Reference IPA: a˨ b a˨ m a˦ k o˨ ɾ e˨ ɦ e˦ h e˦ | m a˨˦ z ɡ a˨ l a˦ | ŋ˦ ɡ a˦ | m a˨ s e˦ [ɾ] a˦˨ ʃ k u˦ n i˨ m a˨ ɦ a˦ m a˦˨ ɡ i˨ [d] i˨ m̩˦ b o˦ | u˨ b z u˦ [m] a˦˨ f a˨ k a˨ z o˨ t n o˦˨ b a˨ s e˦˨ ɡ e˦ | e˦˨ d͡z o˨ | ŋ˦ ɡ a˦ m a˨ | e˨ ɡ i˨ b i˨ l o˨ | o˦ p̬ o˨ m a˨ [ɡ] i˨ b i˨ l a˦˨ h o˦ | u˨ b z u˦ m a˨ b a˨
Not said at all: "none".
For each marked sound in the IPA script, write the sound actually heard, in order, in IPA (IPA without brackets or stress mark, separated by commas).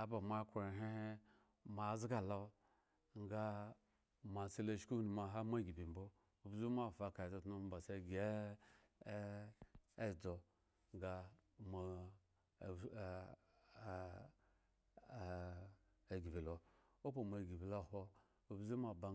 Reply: l, b, m, ɡ